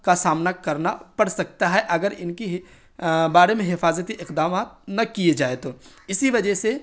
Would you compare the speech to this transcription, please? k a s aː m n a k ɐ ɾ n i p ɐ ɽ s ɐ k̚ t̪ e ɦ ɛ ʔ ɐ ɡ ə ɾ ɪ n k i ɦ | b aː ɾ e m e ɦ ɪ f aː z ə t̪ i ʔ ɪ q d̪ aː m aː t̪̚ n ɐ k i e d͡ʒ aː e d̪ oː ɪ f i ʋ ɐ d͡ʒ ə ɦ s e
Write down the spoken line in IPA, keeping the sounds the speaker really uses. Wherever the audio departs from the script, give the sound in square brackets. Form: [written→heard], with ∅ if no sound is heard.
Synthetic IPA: k a s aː m n a k ɐ ɾ n [i→a] p ɐ ɽ s ɐ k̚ t̪ [e→a] ɦ ɛ ʔ ɐ ɡ ə ɾ ɪ n k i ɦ | b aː ɾ e m [e→ẽ] ɦ ɪ f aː z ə t̪ i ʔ ɪ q d̪ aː m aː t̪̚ n ɐ k i e d͡ʒ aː e [d̪→t̪] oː ɪ [f→s] i ʋ ɐ d͡ʒ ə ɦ s e